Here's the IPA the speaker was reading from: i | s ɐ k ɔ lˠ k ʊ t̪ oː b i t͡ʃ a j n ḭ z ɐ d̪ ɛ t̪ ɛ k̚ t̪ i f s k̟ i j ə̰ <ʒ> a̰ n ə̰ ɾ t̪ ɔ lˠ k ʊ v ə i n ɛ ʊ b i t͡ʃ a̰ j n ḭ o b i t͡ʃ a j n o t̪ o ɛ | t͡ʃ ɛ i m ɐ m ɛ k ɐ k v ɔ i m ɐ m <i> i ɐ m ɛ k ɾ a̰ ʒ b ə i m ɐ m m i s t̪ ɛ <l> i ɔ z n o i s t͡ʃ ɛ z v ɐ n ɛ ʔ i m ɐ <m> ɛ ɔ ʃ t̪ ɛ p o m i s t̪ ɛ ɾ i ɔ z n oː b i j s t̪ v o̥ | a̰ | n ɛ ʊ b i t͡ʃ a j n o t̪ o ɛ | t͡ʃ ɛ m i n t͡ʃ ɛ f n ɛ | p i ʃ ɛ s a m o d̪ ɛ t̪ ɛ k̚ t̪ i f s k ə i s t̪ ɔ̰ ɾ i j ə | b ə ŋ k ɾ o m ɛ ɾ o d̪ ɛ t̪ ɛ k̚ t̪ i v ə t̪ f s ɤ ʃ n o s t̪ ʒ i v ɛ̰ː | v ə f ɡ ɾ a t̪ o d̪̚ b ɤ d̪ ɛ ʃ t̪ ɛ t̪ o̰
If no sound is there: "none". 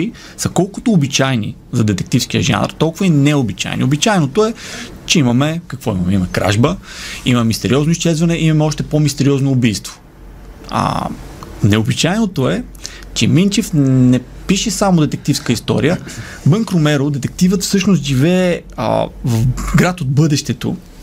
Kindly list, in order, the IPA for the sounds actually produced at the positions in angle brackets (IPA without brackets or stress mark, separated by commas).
ʒ, ɛ, ɾ, m